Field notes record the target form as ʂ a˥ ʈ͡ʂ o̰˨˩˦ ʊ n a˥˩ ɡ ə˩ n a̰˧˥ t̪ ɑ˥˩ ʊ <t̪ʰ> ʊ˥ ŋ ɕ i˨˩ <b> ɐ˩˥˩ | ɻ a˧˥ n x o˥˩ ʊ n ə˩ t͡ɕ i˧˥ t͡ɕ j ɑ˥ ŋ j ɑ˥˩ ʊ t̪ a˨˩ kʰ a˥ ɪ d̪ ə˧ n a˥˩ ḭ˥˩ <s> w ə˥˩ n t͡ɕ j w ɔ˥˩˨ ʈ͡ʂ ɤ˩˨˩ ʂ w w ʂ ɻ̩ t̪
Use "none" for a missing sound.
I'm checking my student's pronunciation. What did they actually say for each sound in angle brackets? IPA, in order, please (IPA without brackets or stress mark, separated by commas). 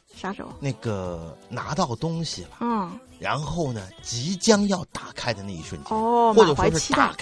t̪, b, ʂ